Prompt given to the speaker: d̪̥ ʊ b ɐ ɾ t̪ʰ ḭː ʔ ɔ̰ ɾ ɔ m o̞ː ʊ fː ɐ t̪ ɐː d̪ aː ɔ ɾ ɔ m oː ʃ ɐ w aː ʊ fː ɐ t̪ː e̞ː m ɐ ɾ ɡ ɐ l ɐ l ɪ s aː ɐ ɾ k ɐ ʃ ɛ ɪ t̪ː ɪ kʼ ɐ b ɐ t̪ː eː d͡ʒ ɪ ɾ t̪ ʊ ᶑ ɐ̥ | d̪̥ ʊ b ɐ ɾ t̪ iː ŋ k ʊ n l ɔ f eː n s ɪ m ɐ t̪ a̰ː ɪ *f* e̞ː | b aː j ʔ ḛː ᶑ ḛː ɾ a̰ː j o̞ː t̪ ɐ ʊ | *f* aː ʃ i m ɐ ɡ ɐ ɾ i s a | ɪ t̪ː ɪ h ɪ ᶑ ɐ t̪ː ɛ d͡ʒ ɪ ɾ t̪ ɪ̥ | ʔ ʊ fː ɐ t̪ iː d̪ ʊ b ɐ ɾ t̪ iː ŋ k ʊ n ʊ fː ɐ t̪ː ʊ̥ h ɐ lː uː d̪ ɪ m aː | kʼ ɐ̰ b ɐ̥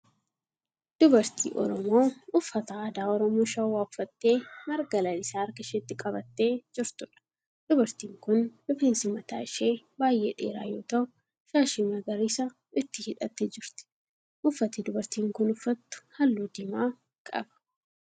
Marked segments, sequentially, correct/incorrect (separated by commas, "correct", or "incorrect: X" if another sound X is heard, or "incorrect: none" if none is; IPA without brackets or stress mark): incorrect: ʃ, incorrect: ʃ